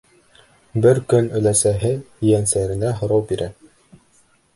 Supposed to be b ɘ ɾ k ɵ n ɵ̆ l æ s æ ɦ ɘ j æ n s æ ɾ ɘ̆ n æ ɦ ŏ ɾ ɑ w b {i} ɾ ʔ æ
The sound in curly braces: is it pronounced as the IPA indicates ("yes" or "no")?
yes